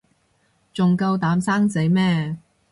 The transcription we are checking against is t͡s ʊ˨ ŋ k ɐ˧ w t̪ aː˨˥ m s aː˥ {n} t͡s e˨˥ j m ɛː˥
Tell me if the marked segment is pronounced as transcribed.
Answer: no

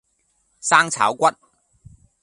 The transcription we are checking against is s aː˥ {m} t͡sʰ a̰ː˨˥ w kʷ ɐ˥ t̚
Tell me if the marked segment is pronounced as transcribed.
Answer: no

